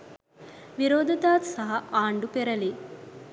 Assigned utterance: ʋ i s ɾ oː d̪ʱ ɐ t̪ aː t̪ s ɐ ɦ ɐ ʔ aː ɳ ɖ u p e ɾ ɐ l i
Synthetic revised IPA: ʋ i ɾ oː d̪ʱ ɐ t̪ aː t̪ s ɐ ɦ ɐ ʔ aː ɳ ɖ u p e ɾ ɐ l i